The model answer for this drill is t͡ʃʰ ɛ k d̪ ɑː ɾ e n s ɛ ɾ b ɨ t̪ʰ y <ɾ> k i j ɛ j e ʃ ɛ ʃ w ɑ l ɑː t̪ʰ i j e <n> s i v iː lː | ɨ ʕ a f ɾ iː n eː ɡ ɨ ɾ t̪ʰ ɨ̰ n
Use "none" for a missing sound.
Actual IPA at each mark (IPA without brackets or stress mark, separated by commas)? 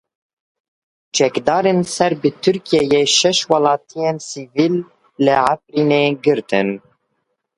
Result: ɾ, n